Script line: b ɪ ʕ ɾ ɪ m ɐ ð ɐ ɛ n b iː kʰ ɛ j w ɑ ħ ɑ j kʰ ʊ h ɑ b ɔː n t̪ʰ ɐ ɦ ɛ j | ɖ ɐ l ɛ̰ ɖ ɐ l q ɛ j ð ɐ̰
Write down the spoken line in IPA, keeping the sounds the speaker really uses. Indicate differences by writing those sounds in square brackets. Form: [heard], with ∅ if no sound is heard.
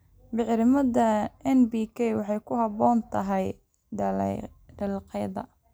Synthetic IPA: b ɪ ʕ ɾ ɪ m ɐ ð ɐ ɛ n b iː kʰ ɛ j w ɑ ħ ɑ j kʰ ʊ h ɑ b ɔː n t̪ʰ ɐ ɦ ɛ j | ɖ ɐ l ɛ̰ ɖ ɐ l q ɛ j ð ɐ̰